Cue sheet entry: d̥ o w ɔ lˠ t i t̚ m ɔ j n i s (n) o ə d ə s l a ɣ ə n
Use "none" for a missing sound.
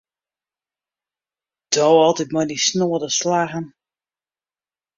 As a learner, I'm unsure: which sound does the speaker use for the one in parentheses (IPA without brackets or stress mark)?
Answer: n